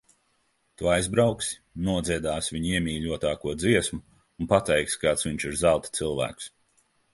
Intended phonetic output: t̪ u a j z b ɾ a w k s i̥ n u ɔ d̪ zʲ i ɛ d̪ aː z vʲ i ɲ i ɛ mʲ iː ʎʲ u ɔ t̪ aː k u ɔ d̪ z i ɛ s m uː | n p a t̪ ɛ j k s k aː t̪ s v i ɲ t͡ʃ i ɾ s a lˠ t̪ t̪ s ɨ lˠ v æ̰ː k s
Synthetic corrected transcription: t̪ u a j z b ɾ a w k s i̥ n u ɔ d̪ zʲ i ɛ d̪ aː s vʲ i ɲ i ɛ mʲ iː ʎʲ u ɔ t̪ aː k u ɔ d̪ z i ɛ s m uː | n p a t̪ ɛ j k s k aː t̪ s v i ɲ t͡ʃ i ɾ z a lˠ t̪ t̪ s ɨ lˠ v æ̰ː k s